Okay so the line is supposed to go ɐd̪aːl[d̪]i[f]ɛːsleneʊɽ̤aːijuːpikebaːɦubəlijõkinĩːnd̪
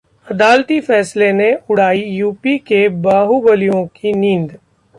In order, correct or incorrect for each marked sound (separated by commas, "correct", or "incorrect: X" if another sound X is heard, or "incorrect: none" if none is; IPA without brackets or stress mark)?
incorrect: t̪, correct